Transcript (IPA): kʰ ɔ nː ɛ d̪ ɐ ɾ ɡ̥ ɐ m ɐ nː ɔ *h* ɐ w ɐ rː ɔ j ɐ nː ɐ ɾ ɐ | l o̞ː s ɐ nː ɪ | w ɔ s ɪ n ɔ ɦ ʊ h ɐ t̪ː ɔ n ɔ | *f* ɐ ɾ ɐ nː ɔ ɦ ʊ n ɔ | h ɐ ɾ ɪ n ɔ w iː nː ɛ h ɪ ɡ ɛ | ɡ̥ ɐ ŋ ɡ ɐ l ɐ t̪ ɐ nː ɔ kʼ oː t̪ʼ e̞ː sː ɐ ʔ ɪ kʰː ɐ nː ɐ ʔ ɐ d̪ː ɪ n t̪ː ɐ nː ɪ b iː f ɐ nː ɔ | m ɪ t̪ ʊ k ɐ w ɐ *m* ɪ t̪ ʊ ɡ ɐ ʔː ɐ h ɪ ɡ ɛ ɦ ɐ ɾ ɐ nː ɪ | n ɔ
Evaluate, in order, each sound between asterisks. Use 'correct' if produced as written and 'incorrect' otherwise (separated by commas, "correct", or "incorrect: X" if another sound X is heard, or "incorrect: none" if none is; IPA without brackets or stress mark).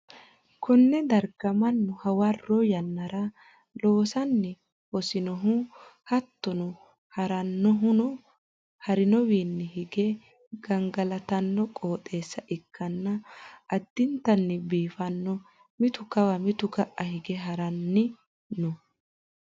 correct, incorrect: h, correct